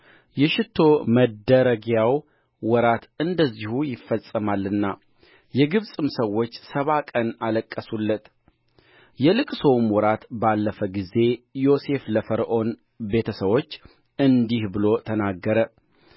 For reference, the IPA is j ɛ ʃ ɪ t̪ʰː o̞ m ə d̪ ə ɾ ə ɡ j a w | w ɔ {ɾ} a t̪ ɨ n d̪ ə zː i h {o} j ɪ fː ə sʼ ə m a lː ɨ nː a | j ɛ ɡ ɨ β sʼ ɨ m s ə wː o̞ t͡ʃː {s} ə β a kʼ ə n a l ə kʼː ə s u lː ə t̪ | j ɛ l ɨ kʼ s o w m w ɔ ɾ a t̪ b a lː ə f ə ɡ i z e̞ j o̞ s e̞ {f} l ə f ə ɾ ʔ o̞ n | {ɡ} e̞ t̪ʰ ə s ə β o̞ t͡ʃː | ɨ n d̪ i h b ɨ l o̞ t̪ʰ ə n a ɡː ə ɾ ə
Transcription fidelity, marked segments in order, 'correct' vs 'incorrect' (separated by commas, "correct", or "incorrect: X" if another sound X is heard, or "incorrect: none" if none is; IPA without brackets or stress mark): correct, incorrect: u, correct, correct, incorrect: b